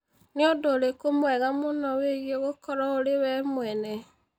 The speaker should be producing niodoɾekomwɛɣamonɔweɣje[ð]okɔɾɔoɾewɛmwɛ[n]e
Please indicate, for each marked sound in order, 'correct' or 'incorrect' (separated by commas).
incorrect, correct